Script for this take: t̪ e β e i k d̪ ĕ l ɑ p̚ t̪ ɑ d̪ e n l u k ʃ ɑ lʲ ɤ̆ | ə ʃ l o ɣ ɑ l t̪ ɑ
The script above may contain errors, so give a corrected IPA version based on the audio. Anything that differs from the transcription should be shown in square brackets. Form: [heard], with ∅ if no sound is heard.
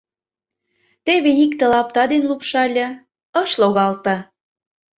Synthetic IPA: t̪ e β e i k [t̪] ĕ l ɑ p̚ t̪ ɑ d̪ e n l u [p] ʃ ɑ lʲ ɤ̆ | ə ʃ l o ɣ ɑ l t̪ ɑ

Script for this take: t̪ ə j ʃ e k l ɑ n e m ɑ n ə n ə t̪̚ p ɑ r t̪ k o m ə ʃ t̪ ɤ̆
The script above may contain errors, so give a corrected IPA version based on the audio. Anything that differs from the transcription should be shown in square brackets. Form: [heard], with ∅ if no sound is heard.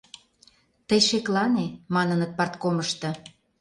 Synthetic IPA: t̪ ə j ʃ e k l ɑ n e m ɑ n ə n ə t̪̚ p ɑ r t̪ k o m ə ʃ t̪ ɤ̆

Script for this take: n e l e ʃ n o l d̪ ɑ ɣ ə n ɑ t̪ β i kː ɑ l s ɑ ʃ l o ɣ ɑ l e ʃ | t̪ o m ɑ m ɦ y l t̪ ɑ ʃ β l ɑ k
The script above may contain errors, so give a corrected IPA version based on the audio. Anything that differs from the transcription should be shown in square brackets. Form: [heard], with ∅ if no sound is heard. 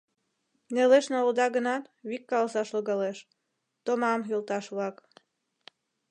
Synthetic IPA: n e l e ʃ n o l d̪ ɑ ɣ ə n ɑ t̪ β i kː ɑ l s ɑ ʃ l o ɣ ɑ l e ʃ | t̪ o m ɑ m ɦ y l t̪ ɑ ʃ β l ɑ k

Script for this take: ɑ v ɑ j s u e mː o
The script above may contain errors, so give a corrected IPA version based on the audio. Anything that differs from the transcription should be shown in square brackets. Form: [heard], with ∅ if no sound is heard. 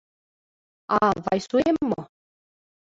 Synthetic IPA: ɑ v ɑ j s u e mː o

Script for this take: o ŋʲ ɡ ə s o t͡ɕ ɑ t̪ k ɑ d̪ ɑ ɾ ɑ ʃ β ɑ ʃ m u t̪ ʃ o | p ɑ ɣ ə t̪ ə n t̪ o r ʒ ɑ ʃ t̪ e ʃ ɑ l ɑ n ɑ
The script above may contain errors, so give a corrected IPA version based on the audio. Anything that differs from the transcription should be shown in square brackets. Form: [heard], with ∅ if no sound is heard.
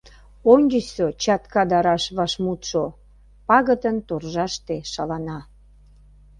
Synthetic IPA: o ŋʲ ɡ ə s o t͡ɕ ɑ t̪ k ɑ d̪ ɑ ɾ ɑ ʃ β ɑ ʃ m u t̪ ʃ o | p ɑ ɣ ə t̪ ə n t̪ o r ʒ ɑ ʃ t̪ e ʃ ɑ l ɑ n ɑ

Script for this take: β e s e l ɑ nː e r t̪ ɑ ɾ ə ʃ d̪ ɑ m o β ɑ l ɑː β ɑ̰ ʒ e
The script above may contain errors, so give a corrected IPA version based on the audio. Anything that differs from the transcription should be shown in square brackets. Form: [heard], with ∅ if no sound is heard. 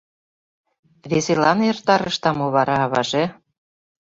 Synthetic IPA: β e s e l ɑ [n] e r t̪ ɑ ɾ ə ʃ [t̪] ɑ m o β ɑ [ɾ] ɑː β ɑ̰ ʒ e

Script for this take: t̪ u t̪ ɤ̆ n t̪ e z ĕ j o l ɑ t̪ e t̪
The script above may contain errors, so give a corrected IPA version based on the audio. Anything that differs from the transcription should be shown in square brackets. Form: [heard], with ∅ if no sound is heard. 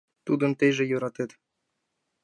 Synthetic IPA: t̪ u [d̪] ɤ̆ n t̪ e [ʒ] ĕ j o [ɾ] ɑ t̪ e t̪

